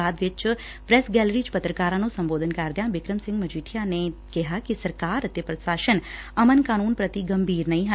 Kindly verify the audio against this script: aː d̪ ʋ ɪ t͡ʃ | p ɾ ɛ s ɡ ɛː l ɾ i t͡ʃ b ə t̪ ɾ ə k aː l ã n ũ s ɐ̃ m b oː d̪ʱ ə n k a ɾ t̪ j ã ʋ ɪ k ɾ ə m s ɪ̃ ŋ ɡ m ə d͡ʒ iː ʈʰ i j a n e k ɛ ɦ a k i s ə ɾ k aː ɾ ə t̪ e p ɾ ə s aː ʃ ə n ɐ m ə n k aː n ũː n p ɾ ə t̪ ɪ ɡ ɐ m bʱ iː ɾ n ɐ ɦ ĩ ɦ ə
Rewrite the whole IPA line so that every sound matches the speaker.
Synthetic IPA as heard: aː d̪ ʋ ɪ t͡ʃ | p ɾ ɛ s ɡ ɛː l ɾ i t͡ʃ p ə t̪ ɾ ə k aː ɾ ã n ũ s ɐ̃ m b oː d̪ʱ ə n k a ɾ d̪ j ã ʋ ɪ k ɾ ə m s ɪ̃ ŋ ɡ m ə d͡ʒ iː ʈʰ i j a n e k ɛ ɦ a k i s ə ɾ k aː ɾ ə t̪ e p ɾ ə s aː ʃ ə n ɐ m ə n k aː n uː n p ɾ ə t̪ i ɡ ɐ m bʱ iː ɾ n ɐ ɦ ĩ ɦ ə